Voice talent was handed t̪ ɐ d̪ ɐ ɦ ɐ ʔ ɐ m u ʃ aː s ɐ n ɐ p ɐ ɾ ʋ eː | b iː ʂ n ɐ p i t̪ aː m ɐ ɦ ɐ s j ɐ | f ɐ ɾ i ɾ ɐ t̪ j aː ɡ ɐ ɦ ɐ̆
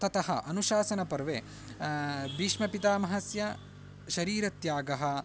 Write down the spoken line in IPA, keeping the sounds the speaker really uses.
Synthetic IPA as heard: t̪ ɐ t̪ ɐ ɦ ɐ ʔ ɐ n u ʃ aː s ɐ n ɐ p ɐ ɾ ʋ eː | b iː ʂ m ɐ p i t̪ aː m ɐ ɦ ɐ s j ɐ | ʃ ɐ ɾ iː ɾ ɐ t̪ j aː ɡ ɐ ɦ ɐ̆